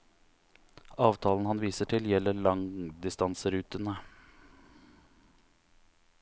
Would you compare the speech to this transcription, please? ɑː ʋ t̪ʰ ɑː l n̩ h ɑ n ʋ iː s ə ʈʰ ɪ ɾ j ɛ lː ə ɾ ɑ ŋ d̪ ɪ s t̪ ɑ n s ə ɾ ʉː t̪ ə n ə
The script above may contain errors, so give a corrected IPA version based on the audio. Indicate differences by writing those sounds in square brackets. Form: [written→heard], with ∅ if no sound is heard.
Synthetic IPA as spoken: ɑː ʋ t̪ʰ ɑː l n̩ h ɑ n ʋ iː s ə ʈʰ ɪ [ɾ→l] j ɛ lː ə [ɾ→ɭ] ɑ ŋ d̪ ɪ s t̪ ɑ n s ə ɾ ʉː t̪ ə n ə